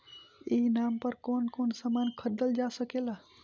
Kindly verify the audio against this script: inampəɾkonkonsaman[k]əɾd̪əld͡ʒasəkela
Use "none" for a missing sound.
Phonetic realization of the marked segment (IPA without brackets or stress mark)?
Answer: kʰ